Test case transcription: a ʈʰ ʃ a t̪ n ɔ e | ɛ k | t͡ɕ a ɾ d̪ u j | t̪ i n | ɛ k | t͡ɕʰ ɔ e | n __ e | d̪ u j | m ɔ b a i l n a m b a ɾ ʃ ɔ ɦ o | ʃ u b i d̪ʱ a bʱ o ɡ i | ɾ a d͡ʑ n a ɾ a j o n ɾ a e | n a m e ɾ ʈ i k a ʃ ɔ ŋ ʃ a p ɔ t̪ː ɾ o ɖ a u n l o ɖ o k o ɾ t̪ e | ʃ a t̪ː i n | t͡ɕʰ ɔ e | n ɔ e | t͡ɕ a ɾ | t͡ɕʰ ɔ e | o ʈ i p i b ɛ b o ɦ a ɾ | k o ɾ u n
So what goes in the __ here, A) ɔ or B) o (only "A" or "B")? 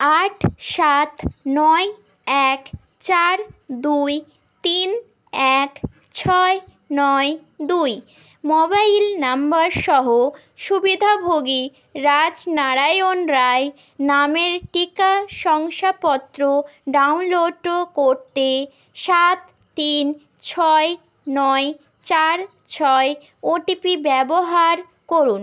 A